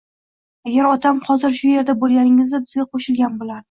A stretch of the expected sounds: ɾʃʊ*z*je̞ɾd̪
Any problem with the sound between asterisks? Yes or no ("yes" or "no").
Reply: yes